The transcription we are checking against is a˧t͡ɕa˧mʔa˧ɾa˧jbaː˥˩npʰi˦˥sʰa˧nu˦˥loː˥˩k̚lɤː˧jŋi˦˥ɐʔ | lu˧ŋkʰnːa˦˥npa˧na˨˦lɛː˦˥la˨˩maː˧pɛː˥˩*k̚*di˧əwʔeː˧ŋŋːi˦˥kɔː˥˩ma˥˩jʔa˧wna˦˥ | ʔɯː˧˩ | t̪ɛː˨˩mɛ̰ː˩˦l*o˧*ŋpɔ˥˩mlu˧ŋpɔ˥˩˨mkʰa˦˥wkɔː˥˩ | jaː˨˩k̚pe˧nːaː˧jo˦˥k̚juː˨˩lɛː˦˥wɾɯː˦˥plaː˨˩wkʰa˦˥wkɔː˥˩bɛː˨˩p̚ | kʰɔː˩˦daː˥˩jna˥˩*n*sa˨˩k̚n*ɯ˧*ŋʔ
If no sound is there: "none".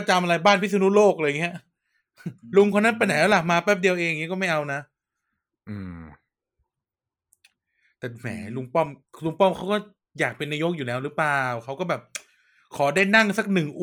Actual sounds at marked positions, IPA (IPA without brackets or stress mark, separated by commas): p̚, u˧, ŋ, ɯ˨˩